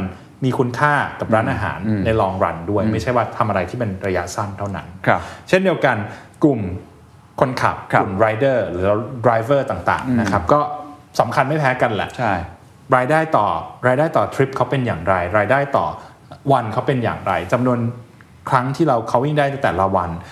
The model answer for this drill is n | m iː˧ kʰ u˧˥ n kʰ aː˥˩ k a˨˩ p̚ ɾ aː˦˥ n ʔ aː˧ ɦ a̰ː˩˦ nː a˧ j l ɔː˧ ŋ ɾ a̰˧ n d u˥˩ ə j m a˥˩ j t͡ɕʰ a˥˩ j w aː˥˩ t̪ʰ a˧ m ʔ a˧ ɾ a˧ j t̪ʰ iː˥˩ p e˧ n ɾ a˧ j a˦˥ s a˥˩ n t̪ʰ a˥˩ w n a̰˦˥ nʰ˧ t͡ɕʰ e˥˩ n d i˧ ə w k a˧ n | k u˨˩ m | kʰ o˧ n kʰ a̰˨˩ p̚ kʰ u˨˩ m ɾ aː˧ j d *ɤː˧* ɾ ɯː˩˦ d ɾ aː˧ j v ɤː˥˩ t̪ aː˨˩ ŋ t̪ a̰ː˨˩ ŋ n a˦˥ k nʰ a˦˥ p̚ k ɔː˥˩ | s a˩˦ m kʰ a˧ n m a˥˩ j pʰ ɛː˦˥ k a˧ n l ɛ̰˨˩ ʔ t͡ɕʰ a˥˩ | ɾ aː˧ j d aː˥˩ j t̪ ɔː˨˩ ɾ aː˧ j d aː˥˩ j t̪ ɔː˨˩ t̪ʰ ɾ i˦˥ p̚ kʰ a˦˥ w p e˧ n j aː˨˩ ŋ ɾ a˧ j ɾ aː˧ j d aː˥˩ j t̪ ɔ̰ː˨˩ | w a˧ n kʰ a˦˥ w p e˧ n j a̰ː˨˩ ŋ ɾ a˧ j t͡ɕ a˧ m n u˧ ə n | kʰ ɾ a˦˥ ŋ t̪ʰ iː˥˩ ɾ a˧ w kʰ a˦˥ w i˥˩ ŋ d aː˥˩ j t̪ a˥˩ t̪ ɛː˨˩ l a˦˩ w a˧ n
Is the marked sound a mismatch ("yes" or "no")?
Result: yes